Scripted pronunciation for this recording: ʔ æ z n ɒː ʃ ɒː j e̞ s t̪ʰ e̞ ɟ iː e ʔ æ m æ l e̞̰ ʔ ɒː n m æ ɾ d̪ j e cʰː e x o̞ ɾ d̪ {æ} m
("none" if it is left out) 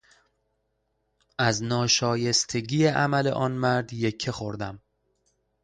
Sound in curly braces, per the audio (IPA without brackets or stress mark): æ